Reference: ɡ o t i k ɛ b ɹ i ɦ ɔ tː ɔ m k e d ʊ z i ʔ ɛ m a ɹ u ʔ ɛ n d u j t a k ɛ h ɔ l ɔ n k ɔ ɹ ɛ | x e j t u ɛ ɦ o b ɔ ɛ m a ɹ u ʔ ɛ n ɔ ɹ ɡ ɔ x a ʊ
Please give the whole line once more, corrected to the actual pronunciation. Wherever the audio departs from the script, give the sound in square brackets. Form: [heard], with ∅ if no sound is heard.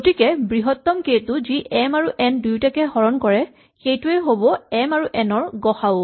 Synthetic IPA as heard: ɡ o t i k ɛ b ɹ i ɦ ɔ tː ɔ m k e [t] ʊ z i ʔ ɛ m a ɹ u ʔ ɛ n d u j t a k ɛ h ɔ [ɹ] ɔ n k ɔ ɹ ɛ | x e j t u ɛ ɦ o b ɔ ɛ m a ɹ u ʔ ɛ n ɔ ɹ ɡ ɔ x a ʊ